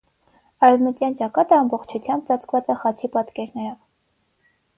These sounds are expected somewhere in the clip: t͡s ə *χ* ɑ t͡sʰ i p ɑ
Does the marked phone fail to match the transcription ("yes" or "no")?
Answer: no